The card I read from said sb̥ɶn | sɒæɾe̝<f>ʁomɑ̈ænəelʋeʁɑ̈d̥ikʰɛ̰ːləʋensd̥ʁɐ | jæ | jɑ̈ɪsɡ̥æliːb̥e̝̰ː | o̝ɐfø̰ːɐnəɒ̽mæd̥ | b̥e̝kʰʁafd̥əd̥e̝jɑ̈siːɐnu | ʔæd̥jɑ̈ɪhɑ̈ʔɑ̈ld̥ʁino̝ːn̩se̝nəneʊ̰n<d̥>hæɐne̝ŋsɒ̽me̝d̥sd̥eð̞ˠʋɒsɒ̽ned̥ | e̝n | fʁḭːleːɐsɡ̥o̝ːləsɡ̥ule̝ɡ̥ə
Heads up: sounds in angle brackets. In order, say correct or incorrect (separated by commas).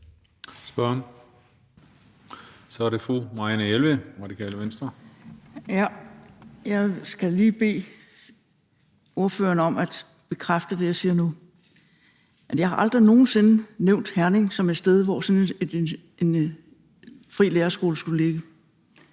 correct, correct